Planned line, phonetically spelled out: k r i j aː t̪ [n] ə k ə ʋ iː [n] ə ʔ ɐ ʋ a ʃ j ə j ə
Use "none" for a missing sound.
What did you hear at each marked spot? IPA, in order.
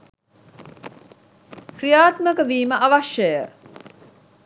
m, m

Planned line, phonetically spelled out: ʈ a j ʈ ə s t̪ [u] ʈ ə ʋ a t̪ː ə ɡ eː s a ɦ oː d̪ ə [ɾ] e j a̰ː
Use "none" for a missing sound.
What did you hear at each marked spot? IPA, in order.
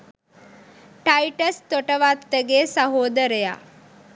o, ɾ

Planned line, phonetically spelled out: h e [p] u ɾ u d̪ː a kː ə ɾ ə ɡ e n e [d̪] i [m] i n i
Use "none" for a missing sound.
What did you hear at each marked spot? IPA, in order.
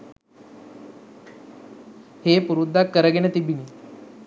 p, t̪, b

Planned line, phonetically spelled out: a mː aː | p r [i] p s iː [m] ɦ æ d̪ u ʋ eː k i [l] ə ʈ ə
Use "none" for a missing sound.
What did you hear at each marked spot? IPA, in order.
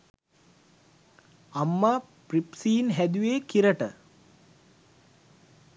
i, n, ɾ

